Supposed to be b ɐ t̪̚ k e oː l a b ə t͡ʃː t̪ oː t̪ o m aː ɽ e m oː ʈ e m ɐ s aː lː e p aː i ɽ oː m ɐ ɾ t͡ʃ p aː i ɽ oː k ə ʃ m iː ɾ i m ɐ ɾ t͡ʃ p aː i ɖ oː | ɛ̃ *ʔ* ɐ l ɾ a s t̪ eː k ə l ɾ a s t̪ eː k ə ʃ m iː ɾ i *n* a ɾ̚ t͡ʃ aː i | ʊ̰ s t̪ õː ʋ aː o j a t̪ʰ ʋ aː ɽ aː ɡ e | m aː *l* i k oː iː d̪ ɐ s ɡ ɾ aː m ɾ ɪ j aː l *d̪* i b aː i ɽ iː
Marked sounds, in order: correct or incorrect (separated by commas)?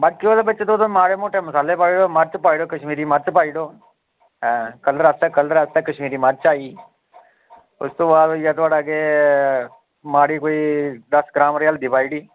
incorrect, incorrect, incorrect, correct